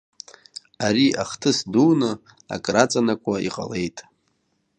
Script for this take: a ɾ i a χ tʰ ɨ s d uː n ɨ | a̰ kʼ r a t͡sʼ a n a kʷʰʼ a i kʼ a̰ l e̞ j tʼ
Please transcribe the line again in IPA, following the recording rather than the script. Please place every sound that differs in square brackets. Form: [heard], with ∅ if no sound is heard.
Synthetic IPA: a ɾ i a χ tʰ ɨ s d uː n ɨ | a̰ kʼ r a t͡sʼ a n a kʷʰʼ a i [qʼ] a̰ l e̞ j tʼ